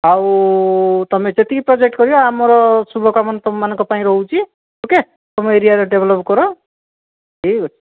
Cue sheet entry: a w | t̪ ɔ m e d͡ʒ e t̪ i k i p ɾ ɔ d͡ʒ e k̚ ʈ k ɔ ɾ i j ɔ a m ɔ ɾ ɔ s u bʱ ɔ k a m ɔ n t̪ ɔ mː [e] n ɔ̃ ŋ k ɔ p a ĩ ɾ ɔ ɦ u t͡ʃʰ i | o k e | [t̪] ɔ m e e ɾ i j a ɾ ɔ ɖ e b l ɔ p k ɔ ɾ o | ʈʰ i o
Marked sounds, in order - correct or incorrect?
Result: incorrect: a, correct

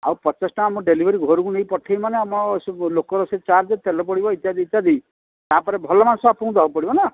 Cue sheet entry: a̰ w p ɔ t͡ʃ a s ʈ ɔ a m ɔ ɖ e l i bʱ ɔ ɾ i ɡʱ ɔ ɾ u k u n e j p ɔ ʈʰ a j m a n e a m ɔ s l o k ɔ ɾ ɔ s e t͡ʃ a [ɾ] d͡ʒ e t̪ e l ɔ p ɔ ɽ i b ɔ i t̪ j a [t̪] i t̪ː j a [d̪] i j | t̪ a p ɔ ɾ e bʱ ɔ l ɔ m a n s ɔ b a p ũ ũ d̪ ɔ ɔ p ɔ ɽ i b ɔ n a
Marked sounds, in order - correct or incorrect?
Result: correct, incorrect: d̪, correct

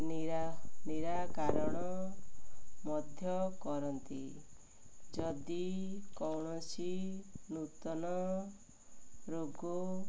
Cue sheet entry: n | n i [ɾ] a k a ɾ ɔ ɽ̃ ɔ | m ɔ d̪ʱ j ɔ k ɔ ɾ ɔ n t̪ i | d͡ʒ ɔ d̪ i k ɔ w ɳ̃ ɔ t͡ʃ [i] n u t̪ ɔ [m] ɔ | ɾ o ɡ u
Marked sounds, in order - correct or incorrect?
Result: correct, correct, incorrect: n

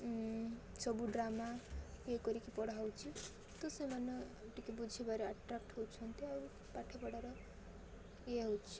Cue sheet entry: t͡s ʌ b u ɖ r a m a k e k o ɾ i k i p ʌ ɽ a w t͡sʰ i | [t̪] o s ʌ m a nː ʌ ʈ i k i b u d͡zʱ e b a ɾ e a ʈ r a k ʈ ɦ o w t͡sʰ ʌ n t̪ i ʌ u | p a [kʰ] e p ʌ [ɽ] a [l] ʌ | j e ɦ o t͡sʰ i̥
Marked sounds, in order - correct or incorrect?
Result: correct, incorrect: ʈʰ, correct, incorrect: ɾ

